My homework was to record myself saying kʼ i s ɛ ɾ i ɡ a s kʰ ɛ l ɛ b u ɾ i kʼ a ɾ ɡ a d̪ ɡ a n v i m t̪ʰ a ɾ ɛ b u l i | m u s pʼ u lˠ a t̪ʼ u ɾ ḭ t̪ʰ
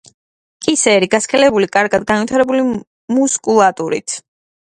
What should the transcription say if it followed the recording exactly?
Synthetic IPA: kʼ i s ɛ ɾ i ɡ a s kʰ ɛ l ɛ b u l i kʼ a ɾ ɡ a d̪ ɡ a n v i t̪ʰ a ɾ ɛ b u l i | m u s kʼ u lˠ a t̪ʼ u ɾ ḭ t̪ʰ

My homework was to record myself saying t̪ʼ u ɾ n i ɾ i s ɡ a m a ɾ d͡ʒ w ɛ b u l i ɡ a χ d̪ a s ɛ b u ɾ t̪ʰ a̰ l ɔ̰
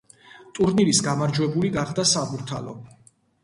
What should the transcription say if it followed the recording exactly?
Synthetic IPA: t̪ʼ u ɾ n i ɾ i s ɡ a m a ɾ d͡ʒ w ɛ b u l i ɡ a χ d̪ a s a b u ɾ t̪ʰ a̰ l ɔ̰

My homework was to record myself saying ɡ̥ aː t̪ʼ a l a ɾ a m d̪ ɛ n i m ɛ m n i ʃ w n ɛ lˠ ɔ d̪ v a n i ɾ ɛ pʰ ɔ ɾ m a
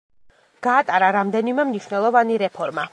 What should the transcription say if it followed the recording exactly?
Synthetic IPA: ɡ̥ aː t̪ʼ a ɾ a ɾ a m d̪ ɛ n i m ɛ m n i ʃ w n ɛ lˠ ɔ v a n i ɾ ɛ pʰ ɔ ɾ m a

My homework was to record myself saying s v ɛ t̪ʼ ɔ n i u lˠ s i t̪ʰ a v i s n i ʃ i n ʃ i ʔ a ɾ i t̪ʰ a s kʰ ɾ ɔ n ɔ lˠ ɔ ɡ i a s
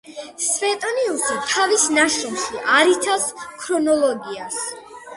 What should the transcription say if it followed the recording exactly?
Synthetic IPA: s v ɛ t̪ʼ ɔ n i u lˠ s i t̪ʰ a v i s n a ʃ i n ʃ i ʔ a ɾ i t̪ʰ a s kʰ ɾ ɔ n ɔ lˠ ɔ ɡ i a s

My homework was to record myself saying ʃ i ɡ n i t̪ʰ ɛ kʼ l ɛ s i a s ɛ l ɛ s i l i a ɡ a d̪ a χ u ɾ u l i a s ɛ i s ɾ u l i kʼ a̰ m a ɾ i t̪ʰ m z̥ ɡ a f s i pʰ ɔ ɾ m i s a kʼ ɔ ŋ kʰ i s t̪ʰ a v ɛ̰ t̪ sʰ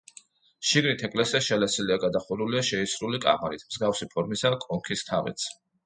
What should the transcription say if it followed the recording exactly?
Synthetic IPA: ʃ i ɡ n i t̪ʰ ɛ kʼ l ɛ s i a ʃ ɛ l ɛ s i l i a ɡ a d̪ a χ u ɾ u l i a ʃ ɛ i s ɾ u l i kʼ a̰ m a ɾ i t̪ʰ m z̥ ɡ a f s i pʰ ɔ ɾ m i s a kʼ ɔ ŋ kʰ i s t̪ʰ a v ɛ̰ t̪ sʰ

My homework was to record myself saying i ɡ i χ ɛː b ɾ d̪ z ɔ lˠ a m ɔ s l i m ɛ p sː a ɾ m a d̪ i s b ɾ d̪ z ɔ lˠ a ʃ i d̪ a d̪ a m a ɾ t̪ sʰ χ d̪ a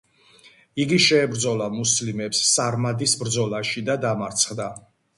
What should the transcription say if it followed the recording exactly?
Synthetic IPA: i ɡ i ʃ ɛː b ɾ d̪ z ɔ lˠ a m u s l i m ɛ p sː a ɾ m a d̪ i s b ɾ d̪ z ɔ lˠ a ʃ i d̪ a d̪ a m a ɾ t̪ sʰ χ d̪ a

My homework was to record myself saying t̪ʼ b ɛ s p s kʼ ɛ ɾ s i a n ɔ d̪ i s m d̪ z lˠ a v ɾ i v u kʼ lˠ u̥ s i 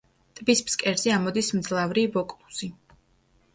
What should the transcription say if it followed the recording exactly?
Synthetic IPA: t̪ʼ b i s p s kʼ ɛ ɾ z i a m ɔ d̪ i s m d̪ z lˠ a v ɾ i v ɔ kʼ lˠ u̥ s i

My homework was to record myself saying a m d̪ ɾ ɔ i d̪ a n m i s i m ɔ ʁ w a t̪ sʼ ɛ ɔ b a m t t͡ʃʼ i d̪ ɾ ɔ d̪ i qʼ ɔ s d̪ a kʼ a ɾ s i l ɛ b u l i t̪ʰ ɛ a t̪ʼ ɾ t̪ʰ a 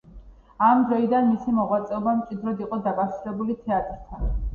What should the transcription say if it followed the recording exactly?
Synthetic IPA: a m d̪ ɾ ɔ i d̪ a n m i s i m ɔ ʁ w a t̪ sʼ ɛ ɔ b a m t t͡ʃʼ i d̪ ɾ ɔ d̪ i qʼ ɔ d̪ a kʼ a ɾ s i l ɛ b u l i t̪ʰ ɛ a t̪ʼ ɾ t̪ʰ a

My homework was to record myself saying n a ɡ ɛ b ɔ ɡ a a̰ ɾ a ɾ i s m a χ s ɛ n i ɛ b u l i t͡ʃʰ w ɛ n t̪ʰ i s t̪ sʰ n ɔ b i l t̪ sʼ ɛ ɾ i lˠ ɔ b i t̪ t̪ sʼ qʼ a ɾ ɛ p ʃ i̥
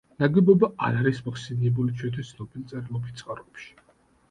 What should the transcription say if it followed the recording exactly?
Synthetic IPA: n a ɡ ɛ b ɔ b a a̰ ɾ a ɾ i s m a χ s ɛ n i ɛ b u l i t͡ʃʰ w ɛ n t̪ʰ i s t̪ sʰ n ɔ b i l t̪ sʼ ɛ ɾ i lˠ ɔ b i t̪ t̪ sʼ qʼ a ɾ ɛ p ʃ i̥

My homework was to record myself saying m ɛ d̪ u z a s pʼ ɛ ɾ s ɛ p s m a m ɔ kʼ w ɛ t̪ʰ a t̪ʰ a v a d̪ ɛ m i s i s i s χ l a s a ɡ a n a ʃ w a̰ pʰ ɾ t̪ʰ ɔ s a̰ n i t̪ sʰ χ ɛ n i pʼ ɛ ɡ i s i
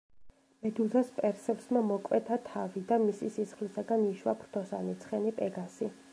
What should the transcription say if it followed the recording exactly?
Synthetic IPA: m ɛ d̪ u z a s pʼ ɛ ɾ s ɛ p s m a m ɔ kʼ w ɛ t̪ʰ a t̪ʰ a v i d̪ a m i s i s i s χ l i s a ɡ a n i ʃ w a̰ pʰ ɾ t̪ʰ ɔ s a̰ n i t̪ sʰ χ ɛ n i pʼ ɛ ɡ a s i

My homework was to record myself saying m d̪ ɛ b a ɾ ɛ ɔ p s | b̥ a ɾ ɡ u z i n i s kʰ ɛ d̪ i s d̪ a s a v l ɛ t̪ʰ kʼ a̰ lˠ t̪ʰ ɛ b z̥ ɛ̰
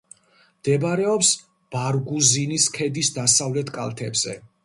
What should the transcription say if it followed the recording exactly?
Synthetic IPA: m d̪ ɛ b a ɾ ɛ ɔ p s | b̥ a ɾ ɡ u z i n i s kʰ ɛ d̪ i s d̪ a s a v l ɛ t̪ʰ kʼ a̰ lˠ t̪ʰ ɛ b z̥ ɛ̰

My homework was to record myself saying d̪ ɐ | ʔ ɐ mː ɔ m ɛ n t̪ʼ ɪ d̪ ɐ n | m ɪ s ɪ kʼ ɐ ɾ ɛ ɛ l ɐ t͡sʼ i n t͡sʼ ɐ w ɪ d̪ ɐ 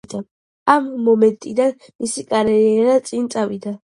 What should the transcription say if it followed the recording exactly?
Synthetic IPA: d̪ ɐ | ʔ ɐ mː ɔ m ɛ n t̪ʼ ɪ d̪ ɐ n | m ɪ s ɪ kʼ ɐ ɾ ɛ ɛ ɾ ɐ t͡sʼ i n t͡sʼ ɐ w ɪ d̪ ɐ

